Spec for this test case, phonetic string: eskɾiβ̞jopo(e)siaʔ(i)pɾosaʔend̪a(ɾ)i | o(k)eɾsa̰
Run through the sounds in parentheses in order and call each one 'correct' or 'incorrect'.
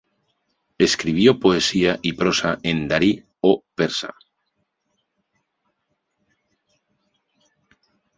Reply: correct, correct, correct, incorrect: p

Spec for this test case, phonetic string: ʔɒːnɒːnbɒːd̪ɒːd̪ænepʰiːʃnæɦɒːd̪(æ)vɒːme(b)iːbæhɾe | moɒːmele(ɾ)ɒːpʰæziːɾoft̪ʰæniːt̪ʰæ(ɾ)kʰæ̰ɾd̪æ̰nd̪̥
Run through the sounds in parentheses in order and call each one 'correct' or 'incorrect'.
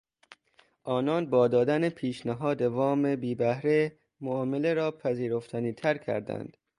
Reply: incorrect: e, correct, correct, correct

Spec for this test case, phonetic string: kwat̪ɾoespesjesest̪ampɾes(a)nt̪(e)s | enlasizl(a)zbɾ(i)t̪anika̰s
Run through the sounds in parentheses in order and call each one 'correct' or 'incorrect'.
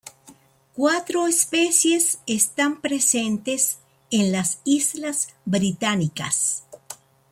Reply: incorrect: e, correct, correct, correct

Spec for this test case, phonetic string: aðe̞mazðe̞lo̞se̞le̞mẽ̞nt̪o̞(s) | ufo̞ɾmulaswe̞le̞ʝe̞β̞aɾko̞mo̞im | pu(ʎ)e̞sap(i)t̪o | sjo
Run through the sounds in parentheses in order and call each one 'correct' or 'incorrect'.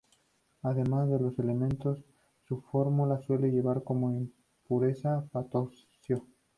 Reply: incorrect: sː, incorrect: ɾ, incorrect: a

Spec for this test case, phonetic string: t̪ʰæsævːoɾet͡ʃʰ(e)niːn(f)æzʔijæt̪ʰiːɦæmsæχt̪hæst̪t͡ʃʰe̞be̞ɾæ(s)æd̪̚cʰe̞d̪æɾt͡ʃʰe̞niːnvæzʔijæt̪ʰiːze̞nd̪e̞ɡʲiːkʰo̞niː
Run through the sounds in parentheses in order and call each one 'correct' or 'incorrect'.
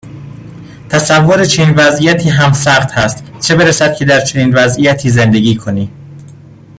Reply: correct, incorrect: v, correct

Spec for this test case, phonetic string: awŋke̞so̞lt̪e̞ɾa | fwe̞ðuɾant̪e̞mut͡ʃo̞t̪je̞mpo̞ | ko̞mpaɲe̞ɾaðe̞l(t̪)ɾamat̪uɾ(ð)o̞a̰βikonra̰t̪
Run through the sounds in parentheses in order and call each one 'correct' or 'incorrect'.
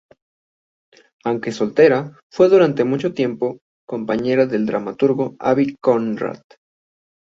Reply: incorrect: d̪, incorrect: ɣ

